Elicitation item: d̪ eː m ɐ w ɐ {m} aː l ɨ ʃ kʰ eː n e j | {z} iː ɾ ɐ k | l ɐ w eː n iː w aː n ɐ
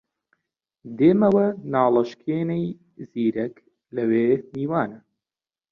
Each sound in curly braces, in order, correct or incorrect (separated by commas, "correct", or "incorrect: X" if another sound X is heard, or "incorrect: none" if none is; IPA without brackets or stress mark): incorrect: n, correct